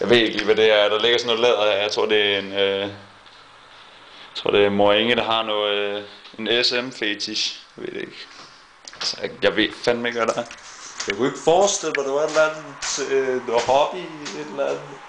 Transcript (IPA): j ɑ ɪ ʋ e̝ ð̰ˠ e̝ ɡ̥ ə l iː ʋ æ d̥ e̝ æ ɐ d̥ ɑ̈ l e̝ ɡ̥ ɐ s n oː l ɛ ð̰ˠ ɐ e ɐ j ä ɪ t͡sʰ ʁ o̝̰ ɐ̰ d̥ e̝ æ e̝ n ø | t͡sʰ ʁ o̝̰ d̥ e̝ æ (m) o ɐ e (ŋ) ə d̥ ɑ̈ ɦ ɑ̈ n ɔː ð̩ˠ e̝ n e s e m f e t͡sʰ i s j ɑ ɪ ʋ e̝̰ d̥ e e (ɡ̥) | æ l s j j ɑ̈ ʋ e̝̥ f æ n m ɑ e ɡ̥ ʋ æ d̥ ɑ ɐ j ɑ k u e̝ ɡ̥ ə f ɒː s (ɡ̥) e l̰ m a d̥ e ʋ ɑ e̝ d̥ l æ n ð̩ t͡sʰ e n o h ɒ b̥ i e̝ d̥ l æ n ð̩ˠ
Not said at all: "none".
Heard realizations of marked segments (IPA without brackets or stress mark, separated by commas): m, ŋ, ɡ̥, d̥